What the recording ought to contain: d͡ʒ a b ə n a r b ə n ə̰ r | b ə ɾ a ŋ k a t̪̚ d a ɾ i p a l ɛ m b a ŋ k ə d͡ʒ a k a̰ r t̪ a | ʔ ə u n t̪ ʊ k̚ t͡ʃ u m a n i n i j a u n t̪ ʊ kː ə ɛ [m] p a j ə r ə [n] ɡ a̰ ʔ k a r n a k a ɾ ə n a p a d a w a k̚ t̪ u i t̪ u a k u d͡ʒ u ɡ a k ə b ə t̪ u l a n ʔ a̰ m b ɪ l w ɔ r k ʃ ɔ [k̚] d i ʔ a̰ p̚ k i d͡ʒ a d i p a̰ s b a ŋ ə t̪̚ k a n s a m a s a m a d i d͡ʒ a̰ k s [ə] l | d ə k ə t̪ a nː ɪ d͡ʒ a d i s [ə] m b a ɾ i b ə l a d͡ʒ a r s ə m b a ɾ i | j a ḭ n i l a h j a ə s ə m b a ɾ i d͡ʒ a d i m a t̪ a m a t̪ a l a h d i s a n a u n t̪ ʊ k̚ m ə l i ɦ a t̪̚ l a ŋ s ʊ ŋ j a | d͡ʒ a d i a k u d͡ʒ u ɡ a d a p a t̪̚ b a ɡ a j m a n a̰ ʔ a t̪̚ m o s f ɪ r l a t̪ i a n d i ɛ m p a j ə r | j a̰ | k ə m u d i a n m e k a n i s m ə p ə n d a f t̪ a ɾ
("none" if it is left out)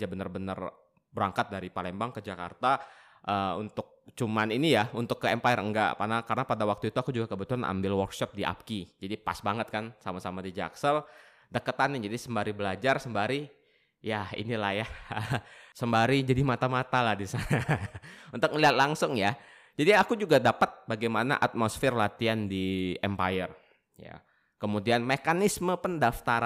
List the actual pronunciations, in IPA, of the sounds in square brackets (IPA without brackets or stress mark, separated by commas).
m, ŋ, p̚, ə, ə